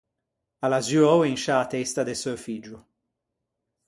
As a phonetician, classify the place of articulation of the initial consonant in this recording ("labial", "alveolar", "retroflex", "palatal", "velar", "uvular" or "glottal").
alveolar